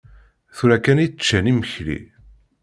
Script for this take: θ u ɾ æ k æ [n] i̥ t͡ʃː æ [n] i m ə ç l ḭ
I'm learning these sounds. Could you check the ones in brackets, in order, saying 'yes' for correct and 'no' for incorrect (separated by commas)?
yes, yes